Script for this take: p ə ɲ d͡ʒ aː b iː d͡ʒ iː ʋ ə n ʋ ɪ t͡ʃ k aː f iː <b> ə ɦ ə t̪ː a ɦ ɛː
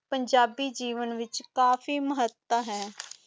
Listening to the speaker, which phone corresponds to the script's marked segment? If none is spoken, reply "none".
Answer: m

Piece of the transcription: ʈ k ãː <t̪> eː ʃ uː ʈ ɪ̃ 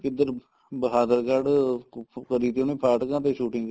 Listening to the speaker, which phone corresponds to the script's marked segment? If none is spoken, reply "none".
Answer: t̪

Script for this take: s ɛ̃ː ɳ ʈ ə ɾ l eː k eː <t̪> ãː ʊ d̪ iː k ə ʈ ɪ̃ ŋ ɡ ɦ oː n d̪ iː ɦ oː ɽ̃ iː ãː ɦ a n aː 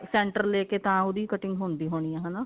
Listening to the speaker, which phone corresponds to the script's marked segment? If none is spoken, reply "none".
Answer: t̪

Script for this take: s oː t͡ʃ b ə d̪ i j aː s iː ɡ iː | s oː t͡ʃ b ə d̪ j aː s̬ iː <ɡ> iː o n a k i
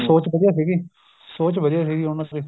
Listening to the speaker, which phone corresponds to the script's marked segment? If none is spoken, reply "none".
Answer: ɡ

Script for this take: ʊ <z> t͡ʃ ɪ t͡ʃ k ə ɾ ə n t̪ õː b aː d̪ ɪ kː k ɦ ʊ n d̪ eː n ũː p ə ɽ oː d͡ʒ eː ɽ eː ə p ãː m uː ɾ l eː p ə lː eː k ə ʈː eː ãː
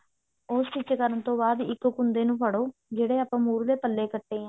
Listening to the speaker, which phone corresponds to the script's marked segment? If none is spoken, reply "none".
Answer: s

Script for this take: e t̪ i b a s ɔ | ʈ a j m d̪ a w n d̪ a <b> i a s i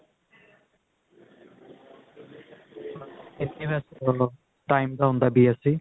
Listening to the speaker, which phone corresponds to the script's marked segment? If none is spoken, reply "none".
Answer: b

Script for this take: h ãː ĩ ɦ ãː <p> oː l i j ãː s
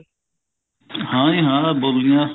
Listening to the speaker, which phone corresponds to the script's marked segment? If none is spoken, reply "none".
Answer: b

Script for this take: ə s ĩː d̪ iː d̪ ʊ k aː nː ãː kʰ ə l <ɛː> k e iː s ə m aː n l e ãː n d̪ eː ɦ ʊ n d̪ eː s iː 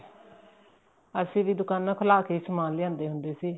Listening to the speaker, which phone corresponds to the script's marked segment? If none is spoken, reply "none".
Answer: aː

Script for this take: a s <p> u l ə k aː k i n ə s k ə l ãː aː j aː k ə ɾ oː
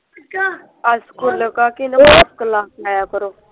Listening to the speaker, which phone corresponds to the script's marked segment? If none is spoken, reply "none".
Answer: k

